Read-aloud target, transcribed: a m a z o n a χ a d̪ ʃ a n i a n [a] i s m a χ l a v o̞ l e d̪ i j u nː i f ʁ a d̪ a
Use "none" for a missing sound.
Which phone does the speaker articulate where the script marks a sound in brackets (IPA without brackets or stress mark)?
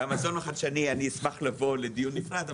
i